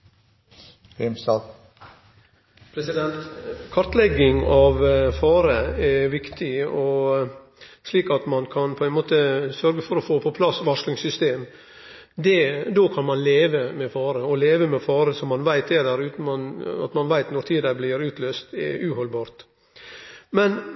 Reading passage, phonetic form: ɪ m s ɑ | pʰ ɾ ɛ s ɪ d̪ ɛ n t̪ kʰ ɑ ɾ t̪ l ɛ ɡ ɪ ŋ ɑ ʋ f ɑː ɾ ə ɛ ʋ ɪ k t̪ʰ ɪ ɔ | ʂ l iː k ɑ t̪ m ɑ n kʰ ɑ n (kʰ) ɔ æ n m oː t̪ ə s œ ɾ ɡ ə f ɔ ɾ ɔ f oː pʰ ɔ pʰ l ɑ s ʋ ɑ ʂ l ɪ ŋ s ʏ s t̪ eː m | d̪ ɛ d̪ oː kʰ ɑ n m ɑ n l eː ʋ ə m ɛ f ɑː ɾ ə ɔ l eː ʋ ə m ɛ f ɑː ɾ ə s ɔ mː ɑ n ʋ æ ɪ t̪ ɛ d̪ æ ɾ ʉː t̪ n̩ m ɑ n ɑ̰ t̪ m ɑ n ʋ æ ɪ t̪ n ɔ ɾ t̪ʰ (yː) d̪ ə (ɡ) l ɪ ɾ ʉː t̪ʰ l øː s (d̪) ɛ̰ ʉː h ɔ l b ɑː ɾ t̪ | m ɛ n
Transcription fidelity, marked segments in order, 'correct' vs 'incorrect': incorrect: pʰ, incorrect: iː, incorrect: b, incorrect: t̪

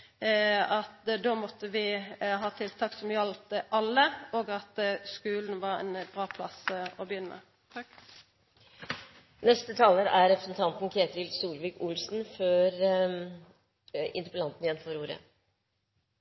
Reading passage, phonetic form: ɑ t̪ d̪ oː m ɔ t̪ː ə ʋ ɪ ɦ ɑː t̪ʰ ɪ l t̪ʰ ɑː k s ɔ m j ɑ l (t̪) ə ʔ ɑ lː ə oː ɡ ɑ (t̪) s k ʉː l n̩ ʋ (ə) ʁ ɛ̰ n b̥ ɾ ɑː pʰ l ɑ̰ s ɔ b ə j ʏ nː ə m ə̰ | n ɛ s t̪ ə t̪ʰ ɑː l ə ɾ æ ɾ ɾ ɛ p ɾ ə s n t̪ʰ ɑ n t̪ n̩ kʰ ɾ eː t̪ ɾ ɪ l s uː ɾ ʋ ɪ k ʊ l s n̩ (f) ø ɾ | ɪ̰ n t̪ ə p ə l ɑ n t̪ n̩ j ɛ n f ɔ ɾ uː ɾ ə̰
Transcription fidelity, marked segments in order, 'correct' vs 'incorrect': correct, correct, incorrect: ɑ, correct

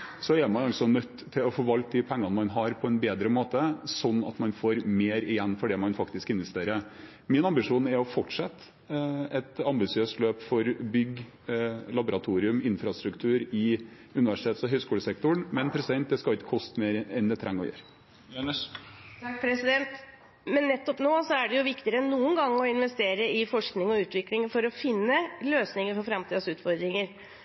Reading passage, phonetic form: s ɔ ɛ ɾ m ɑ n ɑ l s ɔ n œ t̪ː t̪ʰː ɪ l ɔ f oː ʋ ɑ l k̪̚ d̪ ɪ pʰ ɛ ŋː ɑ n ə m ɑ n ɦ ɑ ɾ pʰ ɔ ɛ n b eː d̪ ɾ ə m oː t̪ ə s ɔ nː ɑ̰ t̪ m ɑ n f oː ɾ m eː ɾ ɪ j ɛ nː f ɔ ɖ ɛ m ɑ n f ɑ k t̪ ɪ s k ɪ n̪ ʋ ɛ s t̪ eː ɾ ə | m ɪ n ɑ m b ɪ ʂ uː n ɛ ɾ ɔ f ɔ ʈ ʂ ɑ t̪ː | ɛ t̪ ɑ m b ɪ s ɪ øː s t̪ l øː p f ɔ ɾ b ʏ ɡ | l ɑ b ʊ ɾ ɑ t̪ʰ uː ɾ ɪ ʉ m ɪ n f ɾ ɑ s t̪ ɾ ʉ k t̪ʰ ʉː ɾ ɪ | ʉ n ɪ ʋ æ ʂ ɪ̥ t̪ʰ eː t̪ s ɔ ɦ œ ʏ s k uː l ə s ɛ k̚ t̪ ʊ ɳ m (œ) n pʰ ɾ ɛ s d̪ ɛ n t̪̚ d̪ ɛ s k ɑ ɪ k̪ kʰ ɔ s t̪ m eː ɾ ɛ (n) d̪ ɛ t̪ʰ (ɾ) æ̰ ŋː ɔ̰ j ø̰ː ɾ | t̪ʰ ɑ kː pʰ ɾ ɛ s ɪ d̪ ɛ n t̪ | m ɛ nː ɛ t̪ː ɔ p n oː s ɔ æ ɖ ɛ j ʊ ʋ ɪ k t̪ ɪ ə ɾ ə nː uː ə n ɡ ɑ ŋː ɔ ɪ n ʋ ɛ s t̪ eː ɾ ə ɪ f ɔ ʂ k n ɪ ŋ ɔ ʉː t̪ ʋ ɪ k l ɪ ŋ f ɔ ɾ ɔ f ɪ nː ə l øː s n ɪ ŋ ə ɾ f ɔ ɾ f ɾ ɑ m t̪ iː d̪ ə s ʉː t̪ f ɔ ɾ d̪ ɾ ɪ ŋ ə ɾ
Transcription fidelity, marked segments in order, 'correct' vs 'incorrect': incorrect: ɛ, correct, correct

